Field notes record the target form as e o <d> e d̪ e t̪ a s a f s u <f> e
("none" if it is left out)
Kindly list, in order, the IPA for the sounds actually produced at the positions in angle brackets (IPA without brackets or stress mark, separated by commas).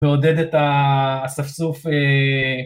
d, f